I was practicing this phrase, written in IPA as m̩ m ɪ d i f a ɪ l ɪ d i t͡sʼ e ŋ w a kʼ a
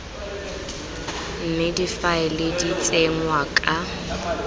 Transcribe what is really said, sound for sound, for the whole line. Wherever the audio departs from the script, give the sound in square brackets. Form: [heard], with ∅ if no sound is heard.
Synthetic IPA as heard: m̩ m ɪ d i f a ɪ l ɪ d i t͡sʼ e ŋ w a kʼ a